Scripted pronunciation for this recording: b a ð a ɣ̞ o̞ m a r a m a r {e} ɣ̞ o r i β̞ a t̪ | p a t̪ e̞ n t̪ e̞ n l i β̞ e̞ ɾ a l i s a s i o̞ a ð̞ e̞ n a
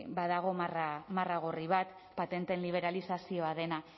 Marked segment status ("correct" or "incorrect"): incorrect